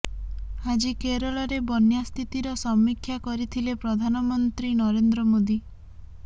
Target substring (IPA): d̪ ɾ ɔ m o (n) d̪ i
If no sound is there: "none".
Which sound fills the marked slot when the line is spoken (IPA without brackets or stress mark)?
none